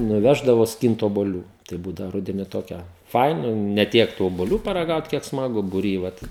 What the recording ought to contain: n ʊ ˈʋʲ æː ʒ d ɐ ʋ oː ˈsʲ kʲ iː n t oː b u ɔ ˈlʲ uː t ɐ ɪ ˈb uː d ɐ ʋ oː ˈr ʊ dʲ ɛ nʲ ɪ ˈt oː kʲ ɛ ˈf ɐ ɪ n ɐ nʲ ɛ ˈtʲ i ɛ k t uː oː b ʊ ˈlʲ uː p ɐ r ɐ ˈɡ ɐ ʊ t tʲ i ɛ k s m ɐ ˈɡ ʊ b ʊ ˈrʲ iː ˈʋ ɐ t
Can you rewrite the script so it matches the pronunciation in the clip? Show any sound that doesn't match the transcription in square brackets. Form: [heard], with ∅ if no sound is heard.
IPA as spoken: n ʊ ˈʋʲ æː ʒ d ɐ ʋ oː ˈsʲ kʲ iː n t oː b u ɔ ˈlʲ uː t ɐ ɪ ˈb uː d ɐ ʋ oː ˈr ʊ dʲ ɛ nʲ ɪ ˈt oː kʲ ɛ ˈf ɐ ɪ n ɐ nʲ ɛ ˈtʲ i ɛ k t uː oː b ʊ ˈlʲ uː p ɐ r ɐ ˈɡ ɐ ʊ t [kʲ] i ɛ k s m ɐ ˈɡ ʊ b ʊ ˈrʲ iː ˈʋ ɐ t